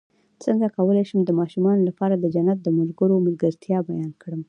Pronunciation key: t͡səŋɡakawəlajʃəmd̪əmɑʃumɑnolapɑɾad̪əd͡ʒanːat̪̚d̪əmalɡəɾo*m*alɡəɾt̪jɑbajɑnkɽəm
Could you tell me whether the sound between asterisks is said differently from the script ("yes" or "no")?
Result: no